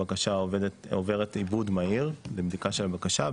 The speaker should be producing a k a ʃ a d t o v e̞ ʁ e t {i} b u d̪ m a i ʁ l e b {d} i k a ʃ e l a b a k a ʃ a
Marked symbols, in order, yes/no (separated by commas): yes, yes